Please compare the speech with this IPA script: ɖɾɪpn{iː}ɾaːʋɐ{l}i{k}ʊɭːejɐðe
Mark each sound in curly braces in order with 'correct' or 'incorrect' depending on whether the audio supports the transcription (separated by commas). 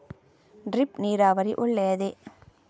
correct, incorrect, incorrect